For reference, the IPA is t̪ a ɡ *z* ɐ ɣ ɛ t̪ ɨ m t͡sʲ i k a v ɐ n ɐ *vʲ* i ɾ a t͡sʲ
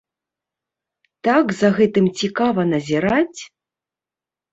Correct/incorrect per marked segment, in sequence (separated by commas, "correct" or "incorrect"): correct, incorrect